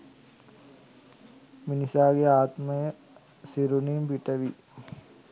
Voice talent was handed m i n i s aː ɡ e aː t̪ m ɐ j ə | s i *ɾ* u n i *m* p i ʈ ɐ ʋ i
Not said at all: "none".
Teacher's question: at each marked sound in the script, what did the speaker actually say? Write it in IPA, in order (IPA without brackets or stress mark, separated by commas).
ɾ, m